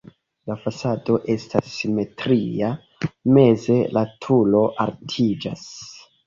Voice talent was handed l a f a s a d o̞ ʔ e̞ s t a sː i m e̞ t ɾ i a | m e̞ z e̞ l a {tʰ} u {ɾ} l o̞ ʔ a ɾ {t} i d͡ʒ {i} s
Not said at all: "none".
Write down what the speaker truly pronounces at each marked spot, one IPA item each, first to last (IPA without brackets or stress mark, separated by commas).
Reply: tʰ, none, tʰ, a